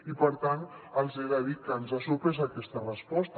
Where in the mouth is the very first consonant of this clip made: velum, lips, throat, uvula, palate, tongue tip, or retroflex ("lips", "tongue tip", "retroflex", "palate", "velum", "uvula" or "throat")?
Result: lips